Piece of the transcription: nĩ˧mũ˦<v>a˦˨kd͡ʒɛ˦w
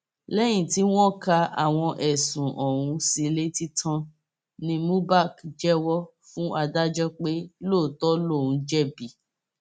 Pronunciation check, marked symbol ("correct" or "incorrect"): incorrect